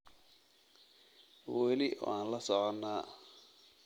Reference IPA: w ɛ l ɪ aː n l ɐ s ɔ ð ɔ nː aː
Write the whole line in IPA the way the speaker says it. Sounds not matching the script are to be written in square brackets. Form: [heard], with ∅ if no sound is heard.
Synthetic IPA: w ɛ l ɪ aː n l ɐ s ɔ [ʕ] ɔ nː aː